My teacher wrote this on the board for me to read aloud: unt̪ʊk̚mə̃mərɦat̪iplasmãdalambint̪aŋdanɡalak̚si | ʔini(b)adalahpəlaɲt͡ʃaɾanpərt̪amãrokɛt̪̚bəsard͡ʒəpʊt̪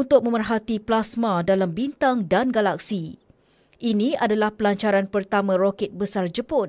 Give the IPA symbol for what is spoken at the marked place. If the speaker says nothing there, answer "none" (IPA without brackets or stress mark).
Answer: none